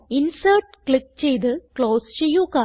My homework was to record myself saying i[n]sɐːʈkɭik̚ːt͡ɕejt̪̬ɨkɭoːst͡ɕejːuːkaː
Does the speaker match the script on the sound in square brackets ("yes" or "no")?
yes